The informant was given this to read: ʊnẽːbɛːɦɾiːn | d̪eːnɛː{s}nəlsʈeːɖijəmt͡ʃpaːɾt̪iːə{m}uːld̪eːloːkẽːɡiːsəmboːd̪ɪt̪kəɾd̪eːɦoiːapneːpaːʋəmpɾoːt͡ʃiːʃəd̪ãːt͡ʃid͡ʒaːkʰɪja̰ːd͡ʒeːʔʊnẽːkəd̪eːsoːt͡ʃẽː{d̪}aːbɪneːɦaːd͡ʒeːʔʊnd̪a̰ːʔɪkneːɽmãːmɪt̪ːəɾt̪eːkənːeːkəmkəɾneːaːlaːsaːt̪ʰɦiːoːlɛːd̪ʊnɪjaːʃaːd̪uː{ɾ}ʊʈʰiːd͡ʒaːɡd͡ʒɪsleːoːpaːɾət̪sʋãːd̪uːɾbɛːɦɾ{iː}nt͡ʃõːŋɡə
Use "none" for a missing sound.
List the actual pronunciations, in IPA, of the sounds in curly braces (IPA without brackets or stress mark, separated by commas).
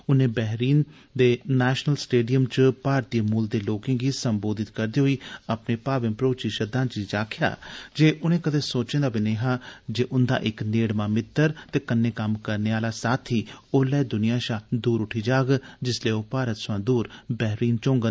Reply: ʃ, m, d̪, ɾ, iː